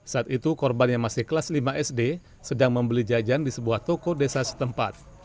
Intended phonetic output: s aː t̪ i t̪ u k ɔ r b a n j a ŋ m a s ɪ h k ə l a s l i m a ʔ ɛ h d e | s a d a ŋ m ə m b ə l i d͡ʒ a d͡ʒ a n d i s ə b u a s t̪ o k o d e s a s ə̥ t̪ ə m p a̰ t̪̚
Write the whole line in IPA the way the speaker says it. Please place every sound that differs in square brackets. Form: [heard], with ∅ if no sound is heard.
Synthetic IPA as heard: s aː t̪ i t̪ u k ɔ r b a n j a ŋ m a s ɪ h k ə l a s l i m a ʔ ɛ [s] d e | s [ə] d a ŋ m ə m b ə l i d͡ʒ a d͡ʒ a n d i s ə b u a [h] t̪ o k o d e s a s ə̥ t̪ ə m p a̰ t̪̚